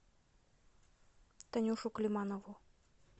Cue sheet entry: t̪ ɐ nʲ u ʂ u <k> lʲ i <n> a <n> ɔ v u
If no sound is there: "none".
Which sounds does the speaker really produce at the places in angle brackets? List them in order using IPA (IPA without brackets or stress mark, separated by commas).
k, m, n